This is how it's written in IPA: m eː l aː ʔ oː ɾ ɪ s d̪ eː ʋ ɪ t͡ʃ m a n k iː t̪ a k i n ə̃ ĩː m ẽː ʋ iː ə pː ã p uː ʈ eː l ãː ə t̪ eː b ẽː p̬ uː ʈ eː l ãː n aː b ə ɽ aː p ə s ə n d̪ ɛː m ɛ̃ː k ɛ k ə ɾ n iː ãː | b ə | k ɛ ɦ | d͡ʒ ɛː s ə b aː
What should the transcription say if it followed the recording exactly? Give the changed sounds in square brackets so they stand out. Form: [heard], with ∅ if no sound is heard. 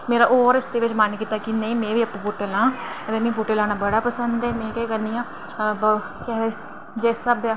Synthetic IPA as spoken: m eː [ɾ] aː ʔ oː ɾ ɪ s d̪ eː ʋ ɪ t͡ʃ m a n k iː t̪ a k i n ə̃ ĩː m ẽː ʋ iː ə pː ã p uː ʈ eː l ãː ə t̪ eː [m] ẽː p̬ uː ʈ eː l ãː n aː b ə ɽ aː p ə s ə n d̪ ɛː m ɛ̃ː k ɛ k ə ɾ n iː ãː | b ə | k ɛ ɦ | d͡ʒ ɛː s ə b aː